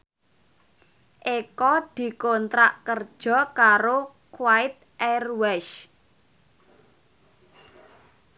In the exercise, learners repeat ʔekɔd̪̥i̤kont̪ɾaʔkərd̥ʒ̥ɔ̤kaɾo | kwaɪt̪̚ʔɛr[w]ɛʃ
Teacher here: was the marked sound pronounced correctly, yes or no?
yes